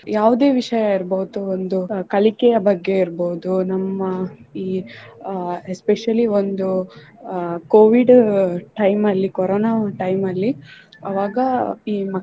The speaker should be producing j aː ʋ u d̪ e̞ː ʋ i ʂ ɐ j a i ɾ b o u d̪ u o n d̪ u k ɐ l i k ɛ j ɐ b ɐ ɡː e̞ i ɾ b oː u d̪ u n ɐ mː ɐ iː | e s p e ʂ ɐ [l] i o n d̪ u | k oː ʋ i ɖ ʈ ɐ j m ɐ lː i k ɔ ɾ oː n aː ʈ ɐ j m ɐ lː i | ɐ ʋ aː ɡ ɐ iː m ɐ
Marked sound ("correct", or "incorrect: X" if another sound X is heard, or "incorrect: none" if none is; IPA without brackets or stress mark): correct